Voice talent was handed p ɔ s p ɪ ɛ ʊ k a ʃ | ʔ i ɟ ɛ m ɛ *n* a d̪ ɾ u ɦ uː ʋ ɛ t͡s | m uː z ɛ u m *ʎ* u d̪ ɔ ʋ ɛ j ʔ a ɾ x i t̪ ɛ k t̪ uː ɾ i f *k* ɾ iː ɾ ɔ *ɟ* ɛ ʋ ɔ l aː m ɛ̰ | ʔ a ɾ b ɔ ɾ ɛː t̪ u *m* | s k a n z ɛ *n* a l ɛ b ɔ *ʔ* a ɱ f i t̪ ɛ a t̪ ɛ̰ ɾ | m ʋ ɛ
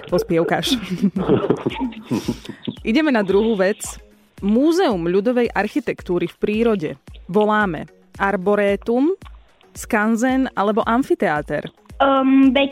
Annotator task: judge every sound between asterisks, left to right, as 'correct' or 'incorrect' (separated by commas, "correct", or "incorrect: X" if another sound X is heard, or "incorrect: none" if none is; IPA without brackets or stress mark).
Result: correct, correct, incorrect: p, correct, correct, correct, correct